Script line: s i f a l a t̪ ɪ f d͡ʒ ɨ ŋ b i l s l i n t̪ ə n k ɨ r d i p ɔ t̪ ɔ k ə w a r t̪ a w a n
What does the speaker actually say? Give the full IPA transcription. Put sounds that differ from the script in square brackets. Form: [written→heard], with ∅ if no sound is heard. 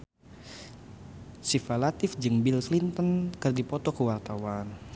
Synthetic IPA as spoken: s i f a l a t̪ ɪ f d͡ʒ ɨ ŋ b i l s l i n t̪ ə n k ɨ r d i p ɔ t̪ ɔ k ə w a r t̪ a w a n